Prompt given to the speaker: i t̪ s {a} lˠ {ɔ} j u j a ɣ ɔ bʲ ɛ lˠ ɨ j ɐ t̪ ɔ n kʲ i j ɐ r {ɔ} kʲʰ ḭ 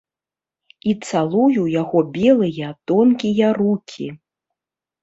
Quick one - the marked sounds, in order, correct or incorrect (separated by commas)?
correct, incorrect, incorrect